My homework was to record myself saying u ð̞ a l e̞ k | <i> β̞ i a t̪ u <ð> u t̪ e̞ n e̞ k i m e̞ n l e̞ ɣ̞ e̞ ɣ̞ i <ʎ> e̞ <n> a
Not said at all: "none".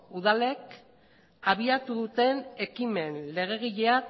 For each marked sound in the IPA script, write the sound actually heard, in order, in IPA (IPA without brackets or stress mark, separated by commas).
a, ð, ʎ, none